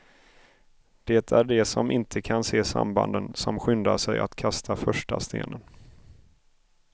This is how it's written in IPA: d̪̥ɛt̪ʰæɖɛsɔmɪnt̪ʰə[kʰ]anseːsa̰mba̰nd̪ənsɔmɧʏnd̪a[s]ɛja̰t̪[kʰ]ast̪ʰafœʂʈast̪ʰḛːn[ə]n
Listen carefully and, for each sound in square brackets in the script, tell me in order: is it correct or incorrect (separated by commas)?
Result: correct, incorrect, correct, correct